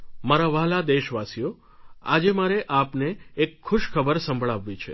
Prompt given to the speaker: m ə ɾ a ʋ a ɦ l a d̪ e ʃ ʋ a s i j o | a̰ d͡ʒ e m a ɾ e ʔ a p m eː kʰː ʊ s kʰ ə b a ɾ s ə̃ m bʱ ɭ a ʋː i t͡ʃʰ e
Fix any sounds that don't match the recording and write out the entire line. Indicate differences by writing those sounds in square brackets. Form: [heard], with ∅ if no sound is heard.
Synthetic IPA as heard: m [a] ɾ a ʋ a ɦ l a d̪ e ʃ ʋ a s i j o | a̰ d͡ʒ e m a ɾ e ʔ a p [n] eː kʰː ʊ [ʃ] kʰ ə b [ə] ɾ s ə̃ m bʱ ɭ a ʋː i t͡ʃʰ e